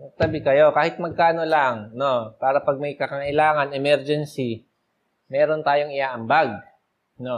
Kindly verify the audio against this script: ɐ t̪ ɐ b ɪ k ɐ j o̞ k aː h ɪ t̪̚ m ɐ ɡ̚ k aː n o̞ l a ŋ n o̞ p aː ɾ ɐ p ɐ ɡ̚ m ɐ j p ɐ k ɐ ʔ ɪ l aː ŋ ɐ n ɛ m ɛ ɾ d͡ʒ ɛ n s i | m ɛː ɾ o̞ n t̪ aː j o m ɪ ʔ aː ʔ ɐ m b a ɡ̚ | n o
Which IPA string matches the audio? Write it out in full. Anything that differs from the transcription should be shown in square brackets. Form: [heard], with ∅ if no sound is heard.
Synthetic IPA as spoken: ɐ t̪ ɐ b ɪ k ɐ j o̞ k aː h ɪ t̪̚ m ɐ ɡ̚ k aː n o̞ l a ŋ n o̞ p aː ɾ ɐ p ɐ ɡ̚ m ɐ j [k] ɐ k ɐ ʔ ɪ l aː ŋ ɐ n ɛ m ɛ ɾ d͡ʒ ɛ n s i | m ɛː ɾ o̞ n t̪ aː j o [ŋ] ɪ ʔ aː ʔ ɐ m b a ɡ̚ | n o